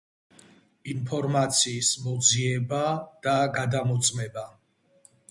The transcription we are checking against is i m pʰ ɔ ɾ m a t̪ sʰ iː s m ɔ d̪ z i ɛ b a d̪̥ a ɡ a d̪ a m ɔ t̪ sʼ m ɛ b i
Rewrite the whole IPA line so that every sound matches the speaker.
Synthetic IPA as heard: i n pʰ ɔ ɾ m a t̪ sʰ iː s m ɔ d̪ z i ɛ b a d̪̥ a ɡ a d̪ a m ɔ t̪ sʼ m ɛ b a